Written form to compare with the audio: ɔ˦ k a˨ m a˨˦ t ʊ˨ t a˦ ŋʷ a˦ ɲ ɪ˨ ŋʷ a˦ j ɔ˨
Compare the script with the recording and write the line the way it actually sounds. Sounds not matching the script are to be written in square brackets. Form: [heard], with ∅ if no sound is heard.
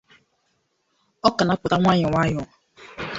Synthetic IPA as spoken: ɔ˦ k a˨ [n] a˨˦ [p] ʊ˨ t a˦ ŋʷ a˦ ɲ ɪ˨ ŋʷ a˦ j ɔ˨